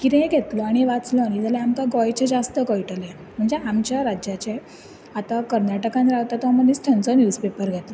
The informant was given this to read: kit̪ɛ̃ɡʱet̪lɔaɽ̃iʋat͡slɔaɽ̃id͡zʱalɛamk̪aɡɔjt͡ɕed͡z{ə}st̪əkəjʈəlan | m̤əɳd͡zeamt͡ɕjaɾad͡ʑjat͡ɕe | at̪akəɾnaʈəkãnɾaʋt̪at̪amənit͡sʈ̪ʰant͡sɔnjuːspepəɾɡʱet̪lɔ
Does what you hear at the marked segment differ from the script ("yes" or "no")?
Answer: yes